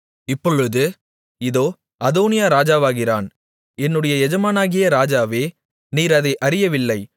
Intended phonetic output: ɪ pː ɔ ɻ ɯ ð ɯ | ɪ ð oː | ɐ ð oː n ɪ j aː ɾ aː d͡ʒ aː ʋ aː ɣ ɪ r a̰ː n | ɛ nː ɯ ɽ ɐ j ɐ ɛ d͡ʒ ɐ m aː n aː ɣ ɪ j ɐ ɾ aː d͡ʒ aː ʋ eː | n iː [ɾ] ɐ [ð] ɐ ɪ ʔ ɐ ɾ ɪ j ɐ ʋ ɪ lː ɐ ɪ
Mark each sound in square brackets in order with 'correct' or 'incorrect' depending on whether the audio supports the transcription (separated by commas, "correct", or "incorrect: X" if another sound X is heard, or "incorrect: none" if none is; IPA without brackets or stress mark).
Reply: correct, correct